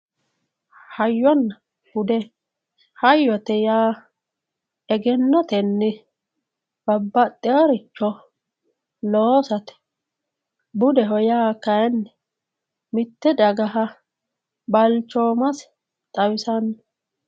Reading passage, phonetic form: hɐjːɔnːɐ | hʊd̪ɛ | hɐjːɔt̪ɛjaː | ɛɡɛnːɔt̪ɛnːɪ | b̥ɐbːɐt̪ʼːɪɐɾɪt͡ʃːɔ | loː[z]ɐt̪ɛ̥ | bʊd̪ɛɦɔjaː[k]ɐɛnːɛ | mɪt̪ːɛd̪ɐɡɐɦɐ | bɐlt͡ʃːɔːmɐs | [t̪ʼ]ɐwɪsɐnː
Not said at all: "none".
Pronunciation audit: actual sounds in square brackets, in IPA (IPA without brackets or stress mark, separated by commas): s, k, t̪ʼ